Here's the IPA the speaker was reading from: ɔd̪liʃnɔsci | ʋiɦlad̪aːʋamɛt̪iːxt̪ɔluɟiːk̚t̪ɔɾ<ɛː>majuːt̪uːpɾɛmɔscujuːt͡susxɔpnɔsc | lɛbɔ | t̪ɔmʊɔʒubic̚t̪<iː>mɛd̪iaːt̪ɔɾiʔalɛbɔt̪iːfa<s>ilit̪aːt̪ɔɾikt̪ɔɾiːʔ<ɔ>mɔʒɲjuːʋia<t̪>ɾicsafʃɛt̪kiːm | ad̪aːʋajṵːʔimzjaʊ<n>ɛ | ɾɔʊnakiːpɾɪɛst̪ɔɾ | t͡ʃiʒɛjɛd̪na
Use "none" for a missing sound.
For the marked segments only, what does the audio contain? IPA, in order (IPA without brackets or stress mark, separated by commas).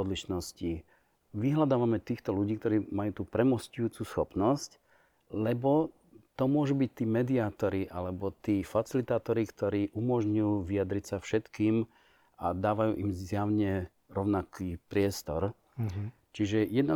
iː, iː, t͡s, u, d̪, ɲ